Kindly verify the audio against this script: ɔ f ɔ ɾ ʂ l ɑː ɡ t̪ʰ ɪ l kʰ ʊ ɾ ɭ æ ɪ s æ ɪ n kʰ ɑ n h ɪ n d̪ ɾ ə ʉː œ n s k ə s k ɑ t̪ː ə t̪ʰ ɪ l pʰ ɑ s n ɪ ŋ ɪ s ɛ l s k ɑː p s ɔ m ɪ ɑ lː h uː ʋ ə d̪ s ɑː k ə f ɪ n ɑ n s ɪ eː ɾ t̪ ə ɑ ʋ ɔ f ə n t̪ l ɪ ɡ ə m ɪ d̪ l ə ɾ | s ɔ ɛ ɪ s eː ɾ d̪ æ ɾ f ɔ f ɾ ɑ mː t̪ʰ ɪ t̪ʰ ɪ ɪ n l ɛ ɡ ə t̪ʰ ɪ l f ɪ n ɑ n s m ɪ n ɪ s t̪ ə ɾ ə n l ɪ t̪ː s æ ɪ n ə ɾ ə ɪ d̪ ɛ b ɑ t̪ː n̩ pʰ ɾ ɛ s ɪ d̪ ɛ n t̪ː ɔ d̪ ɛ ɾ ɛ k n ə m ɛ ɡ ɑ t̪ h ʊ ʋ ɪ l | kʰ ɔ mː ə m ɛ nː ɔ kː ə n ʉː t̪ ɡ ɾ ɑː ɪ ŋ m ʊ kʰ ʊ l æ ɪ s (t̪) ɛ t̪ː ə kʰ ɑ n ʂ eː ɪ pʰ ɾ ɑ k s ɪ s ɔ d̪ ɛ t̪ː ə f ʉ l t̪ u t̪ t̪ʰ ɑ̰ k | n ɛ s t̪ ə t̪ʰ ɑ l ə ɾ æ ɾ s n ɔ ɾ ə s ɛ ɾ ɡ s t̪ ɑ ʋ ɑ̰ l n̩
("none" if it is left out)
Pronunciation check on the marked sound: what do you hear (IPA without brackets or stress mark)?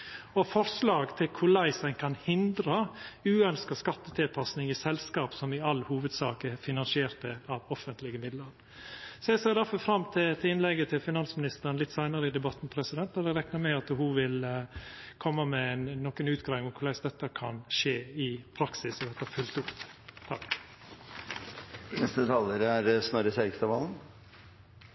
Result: d̪